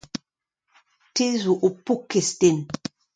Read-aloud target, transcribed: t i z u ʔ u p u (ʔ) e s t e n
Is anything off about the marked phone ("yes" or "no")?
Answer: yes